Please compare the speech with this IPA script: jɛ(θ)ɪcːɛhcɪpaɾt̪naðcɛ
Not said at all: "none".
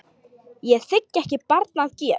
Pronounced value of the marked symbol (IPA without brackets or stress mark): θ